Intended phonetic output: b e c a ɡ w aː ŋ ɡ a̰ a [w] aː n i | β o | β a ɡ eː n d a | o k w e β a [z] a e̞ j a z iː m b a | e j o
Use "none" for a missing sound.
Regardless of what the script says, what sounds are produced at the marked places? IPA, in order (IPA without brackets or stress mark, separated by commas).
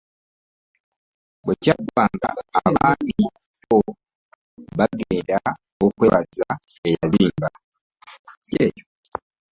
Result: β, z